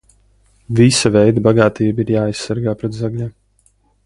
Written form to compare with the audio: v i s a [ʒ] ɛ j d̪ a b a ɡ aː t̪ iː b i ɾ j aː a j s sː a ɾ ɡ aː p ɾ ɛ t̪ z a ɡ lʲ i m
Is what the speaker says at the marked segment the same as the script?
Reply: no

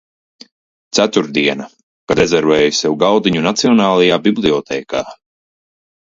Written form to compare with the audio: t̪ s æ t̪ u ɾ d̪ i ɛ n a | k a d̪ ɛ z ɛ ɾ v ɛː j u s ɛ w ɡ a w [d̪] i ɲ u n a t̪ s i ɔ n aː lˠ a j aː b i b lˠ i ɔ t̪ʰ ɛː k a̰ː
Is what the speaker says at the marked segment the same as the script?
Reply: yes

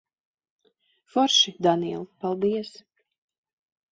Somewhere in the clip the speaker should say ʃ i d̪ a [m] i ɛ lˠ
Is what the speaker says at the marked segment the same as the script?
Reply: no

